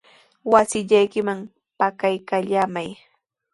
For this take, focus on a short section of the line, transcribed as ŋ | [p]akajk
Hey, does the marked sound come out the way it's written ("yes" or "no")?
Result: yes